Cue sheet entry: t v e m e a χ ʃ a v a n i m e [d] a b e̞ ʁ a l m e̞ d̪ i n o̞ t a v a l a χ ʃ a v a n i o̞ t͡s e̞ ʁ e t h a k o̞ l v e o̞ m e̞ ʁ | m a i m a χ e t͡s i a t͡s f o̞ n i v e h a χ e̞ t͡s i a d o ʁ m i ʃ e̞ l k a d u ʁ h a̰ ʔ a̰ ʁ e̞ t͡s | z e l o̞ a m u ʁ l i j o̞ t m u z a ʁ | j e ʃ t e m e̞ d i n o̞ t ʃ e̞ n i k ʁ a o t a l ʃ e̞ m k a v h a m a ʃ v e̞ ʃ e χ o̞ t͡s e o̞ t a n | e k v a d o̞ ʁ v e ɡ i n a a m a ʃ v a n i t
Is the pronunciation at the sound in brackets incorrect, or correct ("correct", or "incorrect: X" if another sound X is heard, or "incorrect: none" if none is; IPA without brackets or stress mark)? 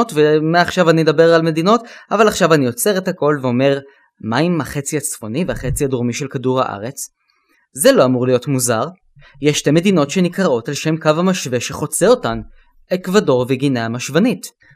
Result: correct